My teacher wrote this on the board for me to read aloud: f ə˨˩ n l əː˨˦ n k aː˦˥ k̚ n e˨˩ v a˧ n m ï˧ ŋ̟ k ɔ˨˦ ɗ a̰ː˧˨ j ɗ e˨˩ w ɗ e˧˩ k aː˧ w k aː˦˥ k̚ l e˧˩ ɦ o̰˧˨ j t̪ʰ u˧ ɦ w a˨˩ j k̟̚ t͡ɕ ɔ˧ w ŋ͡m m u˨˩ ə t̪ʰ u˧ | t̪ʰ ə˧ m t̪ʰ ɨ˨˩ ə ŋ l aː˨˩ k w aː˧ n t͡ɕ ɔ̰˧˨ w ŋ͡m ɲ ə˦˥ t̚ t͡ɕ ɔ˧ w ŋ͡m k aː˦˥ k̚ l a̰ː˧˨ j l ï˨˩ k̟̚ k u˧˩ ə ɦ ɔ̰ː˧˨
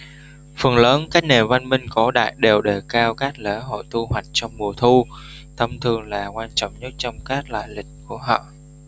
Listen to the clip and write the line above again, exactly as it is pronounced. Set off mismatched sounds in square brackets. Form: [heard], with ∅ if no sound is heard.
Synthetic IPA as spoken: f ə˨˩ n l əː˨˦ n k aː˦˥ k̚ n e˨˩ v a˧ n m ï˧ ŋ̟ k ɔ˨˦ ɗ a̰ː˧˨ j ɗ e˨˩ w ɗ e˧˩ k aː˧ w k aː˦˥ k̚ l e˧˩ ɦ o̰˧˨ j [t̪] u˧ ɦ w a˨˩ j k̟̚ t͡ɕ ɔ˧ w ŋ͡m m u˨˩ ə t̪ʰ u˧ | t̪ʰ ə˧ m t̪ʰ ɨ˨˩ ə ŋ l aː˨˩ k w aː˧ n t͡ɕ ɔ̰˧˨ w ŋ͡m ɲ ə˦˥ t̚ t͡ɕ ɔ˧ w ŋ͡m k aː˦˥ k̚ l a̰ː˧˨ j l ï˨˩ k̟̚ k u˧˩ ə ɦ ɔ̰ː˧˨

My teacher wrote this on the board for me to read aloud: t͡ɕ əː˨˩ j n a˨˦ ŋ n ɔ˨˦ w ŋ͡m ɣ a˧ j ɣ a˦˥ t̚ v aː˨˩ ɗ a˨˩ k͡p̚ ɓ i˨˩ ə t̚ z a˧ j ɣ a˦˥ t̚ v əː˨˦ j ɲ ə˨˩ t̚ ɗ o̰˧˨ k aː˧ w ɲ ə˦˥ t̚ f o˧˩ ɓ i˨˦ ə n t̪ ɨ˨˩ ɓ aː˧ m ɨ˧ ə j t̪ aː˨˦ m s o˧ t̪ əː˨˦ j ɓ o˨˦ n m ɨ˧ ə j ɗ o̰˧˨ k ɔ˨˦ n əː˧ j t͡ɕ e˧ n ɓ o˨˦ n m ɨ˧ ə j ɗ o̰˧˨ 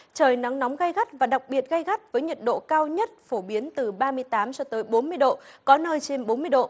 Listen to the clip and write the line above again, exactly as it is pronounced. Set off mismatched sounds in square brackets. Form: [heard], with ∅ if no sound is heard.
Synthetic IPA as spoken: t͡ɕ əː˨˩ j n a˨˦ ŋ n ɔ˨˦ w ŋ͡m ɣ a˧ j ɣ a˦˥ t̚ v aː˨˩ ɗ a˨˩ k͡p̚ ɓ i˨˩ ə t̚ [ɣ] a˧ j ɣ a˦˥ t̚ v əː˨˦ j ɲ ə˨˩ t̚ ɗ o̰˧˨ k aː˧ w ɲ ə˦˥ t̚ f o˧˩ ɓ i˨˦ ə n t̪ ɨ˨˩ ɓ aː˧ m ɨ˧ ə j t̪ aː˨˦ m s [ɔ˧] t̪ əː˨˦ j ɓ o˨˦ n m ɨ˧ ə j ɗ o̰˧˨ k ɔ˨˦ n əː˧ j t͡ɕ e˧ n ɓ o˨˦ n m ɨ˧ ə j ɗ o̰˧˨

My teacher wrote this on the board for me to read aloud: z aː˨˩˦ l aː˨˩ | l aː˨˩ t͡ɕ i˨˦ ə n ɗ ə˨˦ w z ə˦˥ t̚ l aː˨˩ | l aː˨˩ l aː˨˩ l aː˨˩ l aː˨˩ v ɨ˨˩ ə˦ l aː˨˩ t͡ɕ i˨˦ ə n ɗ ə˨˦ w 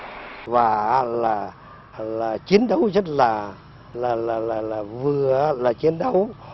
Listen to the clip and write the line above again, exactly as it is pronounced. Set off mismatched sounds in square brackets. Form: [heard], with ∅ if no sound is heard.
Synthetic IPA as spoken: [v] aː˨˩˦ l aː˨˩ | l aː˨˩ t͡ɕ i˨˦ ə n ɗ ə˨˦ w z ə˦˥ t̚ l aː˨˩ | l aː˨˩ l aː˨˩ l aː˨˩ l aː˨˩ v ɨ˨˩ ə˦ l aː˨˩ t͡ɕ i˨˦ ə n ɗ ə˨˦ w

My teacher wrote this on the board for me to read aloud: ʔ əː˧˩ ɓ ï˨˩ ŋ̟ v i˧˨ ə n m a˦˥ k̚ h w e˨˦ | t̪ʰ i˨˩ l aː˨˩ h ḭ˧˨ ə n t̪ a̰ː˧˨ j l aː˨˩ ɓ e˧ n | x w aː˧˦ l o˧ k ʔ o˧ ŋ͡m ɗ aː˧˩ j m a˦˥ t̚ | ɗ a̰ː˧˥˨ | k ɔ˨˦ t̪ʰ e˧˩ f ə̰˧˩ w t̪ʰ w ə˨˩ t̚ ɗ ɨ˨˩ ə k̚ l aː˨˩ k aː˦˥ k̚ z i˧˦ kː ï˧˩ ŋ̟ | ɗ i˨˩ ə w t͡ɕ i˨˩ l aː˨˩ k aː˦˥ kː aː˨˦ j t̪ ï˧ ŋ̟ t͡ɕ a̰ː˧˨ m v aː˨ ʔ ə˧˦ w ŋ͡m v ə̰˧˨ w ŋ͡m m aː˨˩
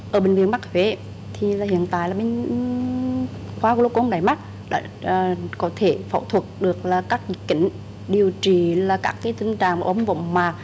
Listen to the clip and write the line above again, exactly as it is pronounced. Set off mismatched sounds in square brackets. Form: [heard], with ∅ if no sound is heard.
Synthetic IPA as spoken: ʔ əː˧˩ ɓ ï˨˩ ŋ̟ v i˧˨ ə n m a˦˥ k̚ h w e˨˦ | t̪ʰ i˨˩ l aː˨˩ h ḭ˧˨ ə n t̪ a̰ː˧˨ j l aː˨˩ ɓ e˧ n | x w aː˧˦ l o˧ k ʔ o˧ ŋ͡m ɗ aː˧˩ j m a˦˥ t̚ | ɗ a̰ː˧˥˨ | k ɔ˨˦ t̪ʰ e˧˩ f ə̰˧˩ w t̪ʰ w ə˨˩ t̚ ɗ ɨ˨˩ ə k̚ l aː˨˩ k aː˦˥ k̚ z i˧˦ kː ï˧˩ ŋ̟ | ɗ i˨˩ ə w t͡ɕ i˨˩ l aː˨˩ k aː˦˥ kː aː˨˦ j t̪ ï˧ ŋ̟ t͡ɕ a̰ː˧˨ [ŋ] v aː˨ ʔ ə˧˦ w ŋ͡m v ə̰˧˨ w ŋ͡m m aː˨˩

